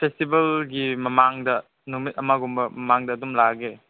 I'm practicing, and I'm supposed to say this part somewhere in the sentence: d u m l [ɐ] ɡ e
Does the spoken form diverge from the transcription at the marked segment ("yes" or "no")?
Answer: yes